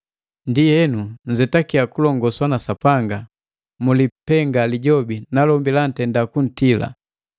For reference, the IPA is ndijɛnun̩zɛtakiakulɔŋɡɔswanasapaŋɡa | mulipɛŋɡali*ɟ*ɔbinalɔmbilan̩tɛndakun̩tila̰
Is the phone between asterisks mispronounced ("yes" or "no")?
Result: no